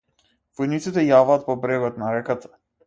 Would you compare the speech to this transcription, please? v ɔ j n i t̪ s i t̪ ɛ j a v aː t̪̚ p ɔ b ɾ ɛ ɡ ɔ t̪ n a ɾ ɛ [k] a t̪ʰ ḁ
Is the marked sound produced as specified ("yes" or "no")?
yes